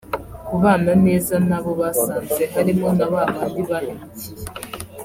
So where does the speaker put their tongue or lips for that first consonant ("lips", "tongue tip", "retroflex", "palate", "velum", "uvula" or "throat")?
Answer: velum